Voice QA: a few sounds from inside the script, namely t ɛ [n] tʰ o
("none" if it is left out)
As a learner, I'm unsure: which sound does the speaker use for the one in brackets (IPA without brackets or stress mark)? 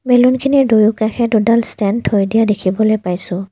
n